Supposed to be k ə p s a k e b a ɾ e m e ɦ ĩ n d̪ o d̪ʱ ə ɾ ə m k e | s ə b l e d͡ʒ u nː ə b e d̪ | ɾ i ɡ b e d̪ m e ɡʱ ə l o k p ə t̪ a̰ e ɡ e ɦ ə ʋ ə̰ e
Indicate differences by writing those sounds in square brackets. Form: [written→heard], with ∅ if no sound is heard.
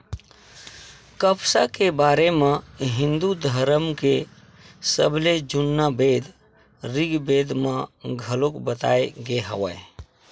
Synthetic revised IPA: k ə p s a k e b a ɾ e m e ɦ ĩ n d̪ [o→u] d̪ʱ ə ɾ ə m k e | s ə b l e d͡ʒ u nː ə b e d̪ | ɾ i ɡ b e d̪ m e ɡʱ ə l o k [p→b] ə t̪ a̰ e ɡ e ɦ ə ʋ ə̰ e